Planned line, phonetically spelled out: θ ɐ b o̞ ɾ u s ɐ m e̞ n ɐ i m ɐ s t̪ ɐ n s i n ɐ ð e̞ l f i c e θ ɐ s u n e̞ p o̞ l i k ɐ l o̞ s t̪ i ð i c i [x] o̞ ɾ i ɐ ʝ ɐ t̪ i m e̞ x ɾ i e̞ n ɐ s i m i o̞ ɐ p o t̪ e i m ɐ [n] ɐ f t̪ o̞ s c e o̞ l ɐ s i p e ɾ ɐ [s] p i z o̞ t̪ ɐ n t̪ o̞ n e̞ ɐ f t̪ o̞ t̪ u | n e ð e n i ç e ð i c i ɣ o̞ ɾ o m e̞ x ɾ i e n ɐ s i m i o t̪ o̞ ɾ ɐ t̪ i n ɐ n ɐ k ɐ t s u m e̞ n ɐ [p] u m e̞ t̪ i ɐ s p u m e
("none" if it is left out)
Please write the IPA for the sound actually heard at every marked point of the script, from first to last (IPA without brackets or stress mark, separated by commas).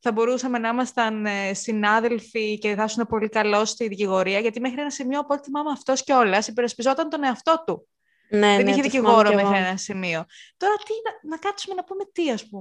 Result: ɣ, m, s, p